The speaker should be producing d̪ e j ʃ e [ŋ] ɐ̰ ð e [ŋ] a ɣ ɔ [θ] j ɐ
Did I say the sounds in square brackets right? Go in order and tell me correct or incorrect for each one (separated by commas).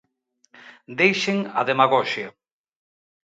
correct, incorrect, incorrect